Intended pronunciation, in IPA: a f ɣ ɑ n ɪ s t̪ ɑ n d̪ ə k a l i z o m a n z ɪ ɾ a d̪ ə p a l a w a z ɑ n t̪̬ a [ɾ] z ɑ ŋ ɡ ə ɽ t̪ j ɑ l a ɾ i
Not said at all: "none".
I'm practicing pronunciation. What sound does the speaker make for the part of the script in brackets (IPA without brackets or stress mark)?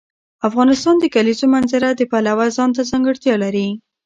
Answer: none